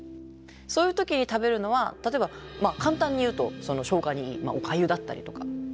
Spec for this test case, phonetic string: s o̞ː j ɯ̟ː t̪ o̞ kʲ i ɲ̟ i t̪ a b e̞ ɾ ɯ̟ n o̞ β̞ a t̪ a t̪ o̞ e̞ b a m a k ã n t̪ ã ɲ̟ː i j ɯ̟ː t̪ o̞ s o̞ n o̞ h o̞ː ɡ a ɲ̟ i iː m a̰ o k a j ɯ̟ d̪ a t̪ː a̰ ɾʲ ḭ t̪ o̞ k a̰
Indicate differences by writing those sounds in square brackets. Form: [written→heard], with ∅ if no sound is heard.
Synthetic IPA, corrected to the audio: s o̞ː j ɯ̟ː t̪ o̞ kʲ i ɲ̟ i t̪ a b e̞ ɾ ɯ̟ n o̞ β̞ a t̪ a t̪ o̞ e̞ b a m a k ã n t̪ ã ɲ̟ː i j ɯ̟ː t̪ o̞ s o̞ n o̞ [h→ɕ] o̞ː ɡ a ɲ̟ i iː m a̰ o k a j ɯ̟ d̪ a t̪ː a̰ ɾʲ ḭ t̪ o̞ k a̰